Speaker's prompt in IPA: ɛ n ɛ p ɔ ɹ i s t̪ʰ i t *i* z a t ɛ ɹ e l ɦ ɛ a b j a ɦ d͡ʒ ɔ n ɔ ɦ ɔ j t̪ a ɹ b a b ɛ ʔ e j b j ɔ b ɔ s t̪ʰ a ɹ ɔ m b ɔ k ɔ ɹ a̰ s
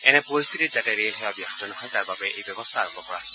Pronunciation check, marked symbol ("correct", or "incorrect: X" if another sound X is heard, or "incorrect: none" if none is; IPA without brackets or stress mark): correct